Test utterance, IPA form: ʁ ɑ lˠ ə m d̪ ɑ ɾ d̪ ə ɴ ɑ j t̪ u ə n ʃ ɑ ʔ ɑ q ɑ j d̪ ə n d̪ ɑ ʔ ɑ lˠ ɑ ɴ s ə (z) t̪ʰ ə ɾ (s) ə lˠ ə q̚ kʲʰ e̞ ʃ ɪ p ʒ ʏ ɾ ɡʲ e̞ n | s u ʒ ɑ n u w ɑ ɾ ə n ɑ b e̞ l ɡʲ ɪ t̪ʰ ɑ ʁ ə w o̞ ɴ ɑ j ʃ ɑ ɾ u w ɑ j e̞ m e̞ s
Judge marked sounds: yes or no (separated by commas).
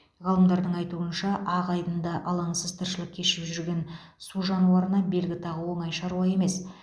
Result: yes, no